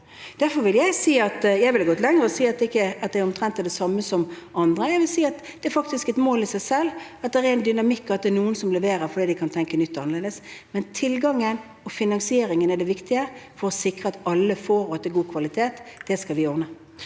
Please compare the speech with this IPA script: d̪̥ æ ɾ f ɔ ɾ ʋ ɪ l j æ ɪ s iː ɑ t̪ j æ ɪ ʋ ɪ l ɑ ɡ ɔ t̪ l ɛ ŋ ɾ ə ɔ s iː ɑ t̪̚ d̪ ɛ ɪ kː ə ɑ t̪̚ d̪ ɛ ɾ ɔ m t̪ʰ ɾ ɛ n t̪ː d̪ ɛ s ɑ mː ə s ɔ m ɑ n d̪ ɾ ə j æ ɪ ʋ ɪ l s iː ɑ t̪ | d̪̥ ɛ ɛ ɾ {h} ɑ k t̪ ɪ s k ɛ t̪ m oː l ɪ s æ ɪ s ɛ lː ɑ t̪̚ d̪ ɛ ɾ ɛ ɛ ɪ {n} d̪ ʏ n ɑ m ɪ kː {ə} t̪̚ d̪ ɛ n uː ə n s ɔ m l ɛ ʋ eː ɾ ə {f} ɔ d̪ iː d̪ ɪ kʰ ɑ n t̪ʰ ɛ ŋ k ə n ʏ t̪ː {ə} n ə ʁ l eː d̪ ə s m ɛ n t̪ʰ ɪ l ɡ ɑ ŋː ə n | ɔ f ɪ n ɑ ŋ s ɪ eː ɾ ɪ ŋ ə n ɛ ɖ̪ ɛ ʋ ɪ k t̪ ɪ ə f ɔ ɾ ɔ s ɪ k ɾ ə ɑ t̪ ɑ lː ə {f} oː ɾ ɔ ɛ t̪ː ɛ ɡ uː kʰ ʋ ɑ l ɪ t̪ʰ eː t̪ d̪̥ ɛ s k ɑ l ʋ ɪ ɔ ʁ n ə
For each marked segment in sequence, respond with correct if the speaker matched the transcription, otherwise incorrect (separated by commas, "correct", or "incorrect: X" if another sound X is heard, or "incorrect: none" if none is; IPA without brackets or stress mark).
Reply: incorrect: f, correct, incorrect: ɑ, correct, incorrect: ɑ, correct